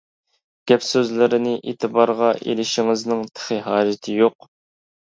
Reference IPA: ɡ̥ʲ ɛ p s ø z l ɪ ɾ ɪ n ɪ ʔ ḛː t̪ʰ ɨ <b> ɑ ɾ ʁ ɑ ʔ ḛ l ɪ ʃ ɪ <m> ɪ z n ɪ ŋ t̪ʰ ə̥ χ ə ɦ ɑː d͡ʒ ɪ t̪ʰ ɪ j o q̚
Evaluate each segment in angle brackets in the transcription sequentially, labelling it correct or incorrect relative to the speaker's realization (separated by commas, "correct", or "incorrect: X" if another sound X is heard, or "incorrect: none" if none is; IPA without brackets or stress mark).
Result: correct, incorrect: ŋ